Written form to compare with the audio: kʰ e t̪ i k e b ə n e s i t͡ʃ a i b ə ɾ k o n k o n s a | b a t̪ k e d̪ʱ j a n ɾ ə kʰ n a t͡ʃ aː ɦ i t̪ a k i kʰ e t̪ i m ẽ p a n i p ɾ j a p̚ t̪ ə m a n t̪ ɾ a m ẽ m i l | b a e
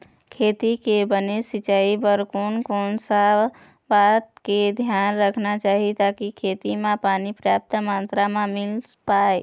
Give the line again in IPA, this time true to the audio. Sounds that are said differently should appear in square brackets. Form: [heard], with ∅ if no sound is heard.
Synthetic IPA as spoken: kʰ e t̪ i k e b ə n e s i t͡ʃ a i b ə ɾ k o n k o n s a | b a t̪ k e d̪ʱ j a n ɾ ə kʰ n a t͡ʃ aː ɦ i t̪ a k i kʰ e t̪ i m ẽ p a n i p ɾ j a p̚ t̪ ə m a n t̪ ɾ a m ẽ m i l | [p] a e